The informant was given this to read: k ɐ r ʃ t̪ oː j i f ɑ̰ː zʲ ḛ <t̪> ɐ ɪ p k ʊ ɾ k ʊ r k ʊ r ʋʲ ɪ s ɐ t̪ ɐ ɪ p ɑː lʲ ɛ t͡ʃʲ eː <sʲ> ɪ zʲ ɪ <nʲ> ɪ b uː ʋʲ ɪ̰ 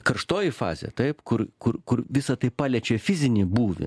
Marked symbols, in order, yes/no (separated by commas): yes, no, yes